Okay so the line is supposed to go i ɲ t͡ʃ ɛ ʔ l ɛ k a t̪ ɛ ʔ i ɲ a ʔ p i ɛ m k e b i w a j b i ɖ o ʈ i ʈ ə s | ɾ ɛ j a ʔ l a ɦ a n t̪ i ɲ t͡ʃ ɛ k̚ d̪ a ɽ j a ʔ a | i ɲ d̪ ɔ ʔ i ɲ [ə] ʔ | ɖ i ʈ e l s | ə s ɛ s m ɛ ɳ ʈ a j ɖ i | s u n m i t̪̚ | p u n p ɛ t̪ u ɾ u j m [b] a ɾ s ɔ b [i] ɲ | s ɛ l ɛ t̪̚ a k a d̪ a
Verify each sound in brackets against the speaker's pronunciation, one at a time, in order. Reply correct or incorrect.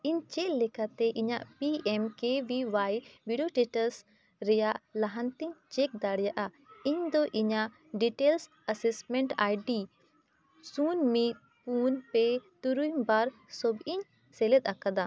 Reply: incorrect, correct, correct

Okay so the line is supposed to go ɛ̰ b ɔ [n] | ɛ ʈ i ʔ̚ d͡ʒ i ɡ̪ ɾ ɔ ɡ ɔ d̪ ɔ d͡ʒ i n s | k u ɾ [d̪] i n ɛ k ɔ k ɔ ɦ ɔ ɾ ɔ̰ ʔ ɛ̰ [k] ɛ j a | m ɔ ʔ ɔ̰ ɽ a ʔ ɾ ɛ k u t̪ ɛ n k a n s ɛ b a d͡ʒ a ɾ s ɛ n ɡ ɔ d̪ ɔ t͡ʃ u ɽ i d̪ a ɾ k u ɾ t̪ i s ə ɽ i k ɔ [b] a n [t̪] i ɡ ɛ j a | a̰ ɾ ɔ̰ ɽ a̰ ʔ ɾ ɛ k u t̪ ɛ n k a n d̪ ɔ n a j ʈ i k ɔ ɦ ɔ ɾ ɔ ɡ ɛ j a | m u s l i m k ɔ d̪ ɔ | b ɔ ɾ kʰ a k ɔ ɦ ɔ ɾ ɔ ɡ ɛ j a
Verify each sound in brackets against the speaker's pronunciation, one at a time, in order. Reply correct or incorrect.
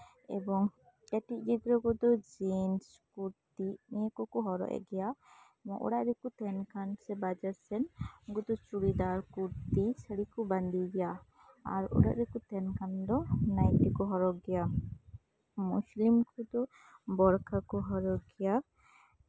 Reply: incorrect, incorrect, incorrect, correct, incorrect

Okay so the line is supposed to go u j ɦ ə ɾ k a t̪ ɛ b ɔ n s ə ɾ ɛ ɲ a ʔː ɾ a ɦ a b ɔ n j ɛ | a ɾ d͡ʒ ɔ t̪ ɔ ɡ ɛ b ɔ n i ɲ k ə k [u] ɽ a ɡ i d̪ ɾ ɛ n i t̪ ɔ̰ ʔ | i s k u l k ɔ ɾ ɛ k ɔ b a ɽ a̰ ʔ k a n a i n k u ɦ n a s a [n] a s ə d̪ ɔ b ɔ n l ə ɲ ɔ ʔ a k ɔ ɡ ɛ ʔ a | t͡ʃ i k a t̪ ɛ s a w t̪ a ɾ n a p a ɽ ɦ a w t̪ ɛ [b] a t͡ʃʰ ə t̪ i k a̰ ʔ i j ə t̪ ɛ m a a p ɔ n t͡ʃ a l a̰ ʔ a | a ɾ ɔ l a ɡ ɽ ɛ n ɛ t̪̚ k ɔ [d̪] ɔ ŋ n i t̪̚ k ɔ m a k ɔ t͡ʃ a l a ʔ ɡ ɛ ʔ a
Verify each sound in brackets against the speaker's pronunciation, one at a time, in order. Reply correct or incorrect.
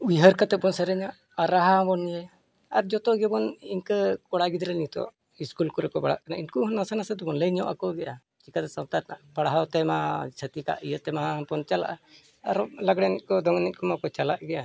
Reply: incorrect, correct, incorrect, correct

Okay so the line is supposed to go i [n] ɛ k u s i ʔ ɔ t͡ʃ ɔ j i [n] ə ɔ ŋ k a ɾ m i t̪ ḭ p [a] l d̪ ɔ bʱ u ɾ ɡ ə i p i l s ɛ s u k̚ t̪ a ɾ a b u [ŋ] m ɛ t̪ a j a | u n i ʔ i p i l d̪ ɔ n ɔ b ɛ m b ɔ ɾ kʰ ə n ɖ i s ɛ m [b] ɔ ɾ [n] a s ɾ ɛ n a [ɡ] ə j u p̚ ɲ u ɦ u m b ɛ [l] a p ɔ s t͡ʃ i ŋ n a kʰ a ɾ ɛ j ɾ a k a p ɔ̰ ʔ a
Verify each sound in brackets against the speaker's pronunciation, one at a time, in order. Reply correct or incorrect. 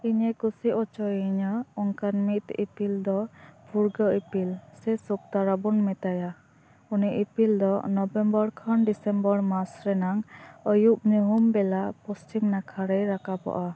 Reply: incorrect, incorrect, incorrect, incorrect, correct, incorrect, incorrect, correct

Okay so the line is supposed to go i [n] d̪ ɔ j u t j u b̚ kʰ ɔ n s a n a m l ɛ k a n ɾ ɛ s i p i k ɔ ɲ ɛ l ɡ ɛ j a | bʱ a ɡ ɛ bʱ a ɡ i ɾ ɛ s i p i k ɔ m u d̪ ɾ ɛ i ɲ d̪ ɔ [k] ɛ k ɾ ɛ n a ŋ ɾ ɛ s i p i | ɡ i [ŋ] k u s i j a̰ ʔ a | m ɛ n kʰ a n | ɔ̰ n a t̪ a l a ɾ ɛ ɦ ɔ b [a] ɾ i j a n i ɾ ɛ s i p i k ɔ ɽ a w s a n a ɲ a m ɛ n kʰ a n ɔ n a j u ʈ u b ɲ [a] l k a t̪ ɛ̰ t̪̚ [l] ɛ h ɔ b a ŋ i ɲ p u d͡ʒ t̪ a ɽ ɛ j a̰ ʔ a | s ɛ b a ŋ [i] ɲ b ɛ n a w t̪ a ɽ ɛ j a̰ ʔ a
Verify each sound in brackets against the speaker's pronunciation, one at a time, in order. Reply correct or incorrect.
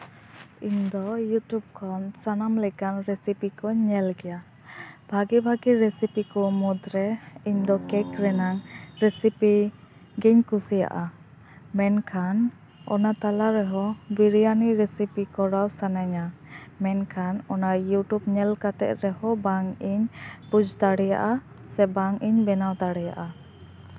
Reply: incorrect, correct, incorrect, incorrect, incorrect, incorrect, correct

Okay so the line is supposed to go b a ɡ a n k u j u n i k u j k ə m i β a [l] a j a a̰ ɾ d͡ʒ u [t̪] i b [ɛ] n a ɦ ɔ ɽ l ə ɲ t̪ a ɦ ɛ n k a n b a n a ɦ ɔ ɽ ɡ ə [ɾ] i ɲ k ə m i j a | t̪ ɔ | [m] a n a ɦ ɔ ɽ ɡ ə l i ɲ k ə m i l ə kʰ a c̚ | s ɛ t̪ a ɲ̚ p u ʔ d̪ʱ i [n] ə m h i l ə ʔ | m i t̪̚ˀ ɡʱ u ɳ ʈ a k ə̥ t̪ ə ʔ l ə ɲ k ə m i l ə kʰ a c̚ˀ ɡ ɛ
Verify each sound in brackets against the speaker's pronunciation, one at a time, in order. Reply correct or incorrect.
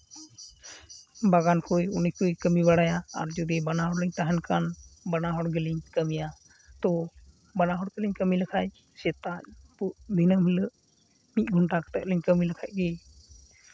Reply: incorrect, incorrect, incorrect, incorrect, incorrect, correct

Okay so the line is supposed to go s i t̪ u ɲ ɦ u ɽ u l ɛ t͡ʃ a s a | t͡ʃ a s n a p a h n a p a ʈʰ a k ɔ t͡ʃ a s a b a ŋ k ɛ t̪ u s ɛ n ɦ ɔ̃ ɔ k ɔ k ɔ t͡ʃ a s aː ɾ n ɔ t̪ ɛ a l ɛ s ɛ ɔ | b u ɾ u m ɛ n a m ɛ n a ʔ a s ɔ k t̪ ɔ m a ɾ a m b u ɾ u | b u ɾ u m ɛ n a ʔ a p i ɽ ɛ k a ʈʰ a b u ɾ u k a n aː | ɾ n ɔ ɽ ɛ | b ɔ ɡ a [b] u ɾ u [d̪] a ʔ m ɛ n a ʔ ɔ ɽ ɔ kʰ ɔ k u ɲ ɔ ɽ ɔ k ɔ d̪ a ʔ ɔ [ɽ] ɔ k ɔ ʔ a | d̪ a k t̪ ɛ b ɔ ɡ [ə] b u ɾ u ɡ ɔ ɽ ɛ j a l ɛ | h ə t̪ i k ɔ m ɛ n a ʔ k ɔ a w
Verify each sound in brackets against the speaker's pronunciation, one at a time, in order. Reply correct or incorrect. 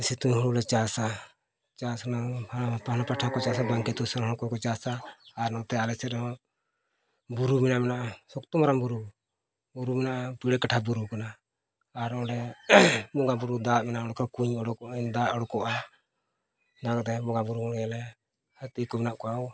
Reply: correct, correct, correct, incorrect

